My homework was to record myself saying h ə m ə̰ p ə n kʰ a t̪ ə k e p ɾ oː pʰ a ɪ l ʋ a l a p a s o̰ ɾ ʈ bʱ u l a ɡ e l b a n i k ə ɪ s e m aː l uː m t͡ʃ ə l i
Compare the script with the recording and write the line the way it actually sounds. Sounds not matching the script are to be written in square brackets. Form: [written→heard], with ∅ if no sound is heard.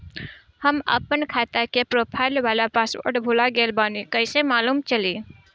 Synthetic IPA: h ə m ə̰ p ə n kʰ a t̪ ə k e p ɾ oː pʰ a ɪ l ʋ a l a p a s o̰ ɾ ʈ bʱ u l a ɡ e l b a n i k ə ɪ s e m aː l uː m t͡ʃ ə l i